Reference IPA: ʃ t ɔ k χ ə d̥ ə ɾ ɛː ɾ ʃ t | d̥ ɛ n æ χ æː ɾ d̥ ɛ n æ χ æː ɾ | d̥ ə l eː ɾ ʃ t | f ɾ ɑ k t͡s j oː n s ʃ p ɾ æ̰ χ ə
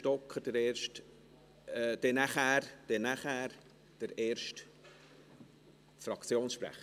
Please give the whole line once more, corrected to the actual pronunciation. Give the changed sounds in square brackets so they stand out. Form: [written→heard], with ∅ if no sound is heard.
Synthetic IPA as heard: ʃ t ɔ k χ ə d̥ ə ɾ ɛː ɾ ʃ t | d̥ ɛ n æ χ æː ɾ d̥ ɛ n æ χ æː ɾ | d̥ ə [l→ɾ] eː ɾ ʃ t | f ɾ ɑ k t͡s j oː n s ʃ p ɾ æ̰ χ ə